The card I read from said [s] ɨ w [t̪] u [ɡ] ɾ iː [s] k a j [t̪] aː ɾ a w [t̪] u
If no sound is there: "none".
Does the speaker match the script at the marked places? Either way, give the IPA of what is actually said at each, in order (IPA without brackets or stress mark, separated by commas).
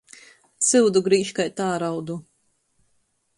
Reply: s, d̪, ɡ, ʃ, t̪, d̪